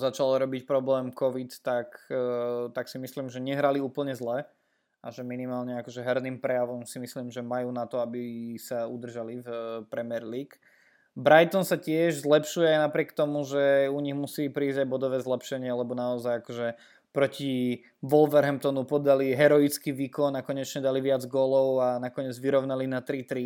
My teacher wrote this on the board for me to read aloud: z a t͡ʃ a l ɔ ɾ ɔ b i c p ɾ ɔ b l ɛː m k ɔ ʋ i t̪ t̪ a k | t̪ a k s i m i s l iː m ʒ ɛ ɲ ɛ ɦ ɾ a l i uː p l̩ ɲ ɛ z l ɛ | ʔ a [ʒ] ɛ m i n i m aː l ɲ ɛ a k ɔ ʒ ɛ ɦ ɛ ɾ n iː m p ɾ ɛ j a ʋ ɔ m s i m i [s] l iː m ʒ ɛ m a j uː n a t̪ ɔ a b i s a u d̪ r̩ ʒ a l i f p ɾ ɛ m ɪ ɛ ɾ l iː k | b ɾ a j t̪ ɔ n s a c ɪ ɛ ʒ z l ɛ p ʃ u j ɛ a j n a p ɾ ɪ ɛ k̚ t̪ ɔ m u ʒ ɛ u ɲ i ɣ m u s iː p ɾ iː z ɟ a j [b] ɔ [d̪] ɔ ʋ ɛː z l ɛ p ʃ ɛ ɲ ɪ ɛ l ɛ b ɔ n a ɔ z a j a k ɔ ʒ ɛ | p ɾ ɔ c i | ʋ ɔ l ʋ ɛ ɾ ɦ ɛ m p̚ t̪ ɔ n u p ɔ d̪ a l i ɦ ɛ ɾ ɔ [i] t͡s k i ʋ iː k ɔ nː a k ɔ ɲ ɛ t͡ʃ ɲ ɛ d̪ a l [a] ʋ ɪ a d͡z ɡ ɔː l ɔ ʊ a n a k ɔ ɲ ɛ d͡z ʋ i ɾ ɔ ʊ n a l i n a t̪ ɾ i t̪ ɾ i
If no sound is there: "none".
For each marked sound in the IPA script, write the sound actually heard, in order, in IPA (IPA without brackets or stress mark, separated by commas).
ʒ, s, b, d̪, i, i